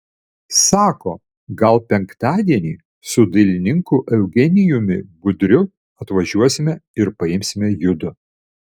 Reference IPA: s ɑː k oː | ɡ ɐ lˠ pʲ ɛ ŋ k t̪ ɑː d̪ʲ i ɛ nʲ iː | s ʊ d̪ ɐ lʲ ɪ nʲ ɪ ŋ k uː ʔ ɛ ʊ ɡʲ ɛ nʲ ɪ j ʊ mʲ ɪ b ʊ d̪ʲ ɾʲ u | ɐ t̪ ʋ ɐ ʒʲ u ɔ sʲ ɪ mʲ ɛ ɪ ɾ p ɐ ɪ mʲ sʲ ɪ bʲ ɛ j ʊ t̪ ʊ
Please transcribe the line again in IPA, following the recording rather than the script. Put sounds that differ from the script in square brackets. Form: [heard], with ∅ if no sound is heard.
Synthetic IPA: s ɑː k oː | ɡ ɐ lˠ pʲ ɛ ŋ k t̪ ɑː d̪ʲ i ɛ nʲ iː | s ʊ d̪ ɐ lʲ ɪ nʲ ɪ ŋ k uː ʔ ɛ ʊ ɡʲ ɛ nʲ ɪ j ʊ mʲ ɪ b ʊ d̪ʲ ɾʲ [ʊ] | ɐ t̪ ʋ ɐ ʒʲ u ɔ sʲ ɪ mʲ ɛ ɪ ɾ p ɐ ɪ mʲ sʲ ɪ [mʲ] ɛ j ʊ [d̪] ʊ